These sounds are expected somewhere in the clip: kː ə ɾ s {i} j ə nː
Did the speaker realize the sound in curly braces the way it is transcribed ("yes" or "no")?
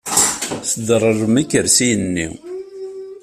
yes